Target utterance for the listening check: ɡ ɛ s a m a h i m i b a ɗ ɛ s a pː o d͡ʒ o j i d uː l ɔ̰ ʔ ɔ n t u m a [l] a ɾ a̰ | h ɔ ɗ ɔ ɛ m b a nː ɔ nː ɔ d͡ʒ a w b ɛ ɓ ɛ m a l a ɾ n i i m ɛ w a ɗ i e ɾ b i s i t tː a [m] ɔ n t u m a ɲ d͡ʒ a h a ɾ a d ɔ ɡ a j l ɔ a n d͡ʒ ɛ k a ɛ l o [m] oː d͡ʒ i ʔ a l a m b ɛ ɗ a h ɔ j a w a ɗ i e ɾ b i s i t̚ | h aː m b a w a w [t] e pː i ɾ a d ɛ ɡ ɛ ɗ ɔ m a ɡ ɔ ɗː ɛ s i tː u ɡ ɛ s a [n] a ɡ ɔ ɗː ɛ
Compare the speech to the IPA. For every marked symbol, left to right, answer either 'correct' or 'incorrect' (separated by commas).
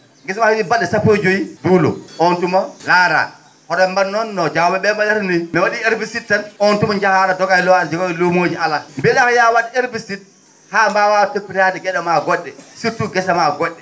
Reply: correct, incorrect, correct, correct, incorrect